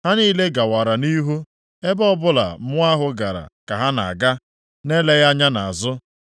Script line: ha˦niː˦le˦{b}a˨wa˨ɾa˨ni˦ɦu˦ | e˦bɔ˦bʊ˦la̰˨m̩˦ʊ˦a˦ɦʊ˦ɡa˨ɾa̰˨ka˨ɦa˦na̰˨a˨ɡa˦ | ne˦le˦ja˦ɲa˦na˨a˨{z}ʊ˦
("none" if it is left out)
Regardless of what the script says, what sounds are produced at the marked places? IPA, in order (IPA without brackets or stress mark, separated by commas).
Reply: ɡ, z